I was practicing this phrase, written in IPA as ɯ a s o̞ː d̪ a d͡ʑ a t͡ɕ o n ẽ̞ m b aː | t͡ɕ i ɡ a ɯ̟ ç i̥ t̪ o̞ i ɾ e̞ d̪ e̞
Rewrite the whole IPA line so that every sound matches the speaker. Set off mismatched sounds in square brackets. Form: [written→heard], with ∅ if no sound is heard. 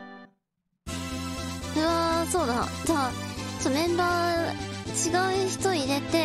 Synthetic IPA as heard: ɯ a s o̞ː d̪ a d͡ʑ a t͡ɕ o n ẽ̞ m b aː | t͡ɕ i ɡ a ɯ̟ ç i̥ t̪ o̞ i ɾ e̞ [d̪→t̪] e̞